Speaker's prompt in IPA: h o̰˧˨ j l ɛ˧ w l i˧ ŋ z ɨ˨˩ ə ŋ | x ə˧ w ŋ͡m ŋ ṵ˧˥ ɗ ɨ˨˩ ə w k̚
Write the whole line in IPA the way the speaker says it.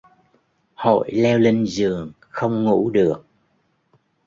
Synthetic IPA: h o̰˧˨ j l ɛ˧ w l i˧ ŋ z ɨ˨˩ ə ŋ | x ə˧ w ŋ͡m ŋ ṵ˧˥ ɗ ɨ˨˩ ə k̚